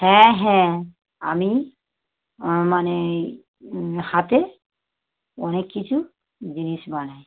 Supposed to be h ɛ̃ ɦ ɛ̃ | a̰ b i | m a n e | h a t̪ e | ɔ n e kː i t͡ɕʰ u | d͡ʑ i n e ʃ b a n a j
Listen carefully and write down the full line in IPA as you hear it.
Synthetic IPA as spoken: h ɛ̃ ɦ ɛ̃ | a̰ m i | m a n e | h a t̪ e | ɔ n e kː i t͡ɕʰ u | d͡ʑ i n i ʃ b a n a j